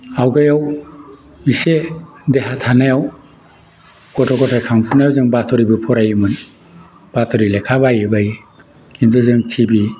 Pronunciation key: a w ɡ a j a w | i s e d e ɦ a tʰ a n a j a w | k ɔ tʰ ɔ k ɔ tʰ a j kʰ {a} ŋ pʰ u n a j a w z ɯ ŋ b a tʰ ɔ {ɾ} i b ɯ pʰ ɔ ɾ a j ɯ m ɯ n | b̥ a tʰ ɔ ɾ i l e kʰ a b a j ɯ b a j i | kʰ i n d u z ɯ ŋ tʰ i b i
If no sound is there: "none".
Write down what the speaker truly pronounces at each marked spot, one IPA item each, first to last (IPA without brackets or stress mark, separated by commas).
a, ɾ